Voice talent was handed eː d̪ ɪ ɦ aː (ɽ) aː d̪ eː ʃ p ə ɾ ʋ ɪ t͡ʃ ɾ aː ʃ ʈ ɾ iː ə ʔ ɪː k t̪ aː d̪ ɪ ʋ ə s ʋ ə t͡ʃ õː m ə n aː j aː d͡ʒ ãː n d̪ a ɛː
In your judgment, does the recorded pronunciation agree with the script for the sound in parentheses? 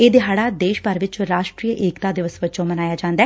yes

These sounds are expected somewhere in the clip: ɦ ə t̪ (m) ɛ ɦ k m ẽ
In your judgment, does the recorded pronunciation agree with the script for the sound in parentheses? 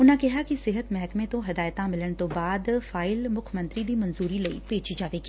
yes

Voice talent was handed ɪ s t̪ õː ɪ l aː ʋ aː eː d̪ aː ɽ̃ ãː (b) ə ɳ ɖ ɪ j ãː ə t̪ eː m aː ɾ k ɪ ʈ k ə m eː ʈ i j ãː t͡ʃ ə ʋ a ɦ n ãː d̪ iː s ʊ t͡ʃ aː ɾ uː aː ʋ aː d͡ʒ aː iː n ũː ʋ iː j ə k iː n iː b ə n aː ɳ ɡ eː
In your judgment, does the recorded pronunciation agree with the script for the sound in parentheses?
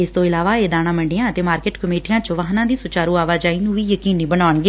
no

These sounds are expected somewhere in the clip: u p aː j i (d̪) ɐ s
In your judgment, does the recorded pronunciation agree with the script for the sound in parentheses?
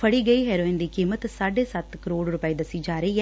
yes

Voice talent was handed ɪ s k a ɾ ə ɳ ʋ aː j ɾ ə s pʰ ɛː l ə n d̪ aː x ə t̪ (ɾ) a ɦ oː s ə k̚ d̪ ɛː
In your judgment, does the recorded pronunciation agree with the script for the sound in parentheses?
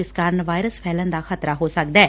yes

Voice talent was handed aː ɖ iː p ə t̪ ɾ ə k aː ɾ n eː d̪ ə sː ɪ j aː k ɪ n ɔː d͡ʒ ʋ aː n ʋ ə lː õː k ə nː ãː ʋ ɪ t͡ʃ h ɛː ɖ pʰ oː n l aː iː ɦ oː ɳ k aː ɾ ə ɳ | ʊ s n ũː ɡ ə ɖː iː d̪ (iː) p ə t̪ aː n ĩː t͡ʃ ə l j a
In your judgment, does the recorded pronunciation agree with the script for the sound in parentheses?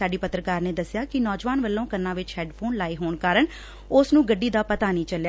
no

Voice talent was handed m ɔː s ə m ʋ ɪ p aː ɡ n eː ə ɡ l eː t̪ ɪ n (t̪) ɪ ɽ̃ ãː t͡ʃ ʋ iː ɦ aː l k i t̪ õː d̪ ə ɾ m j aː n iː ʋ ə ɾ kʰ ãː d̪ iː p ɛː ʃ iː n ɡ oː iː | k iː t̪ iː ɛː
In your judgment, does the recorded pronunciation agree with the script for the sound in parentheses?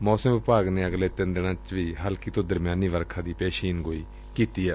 no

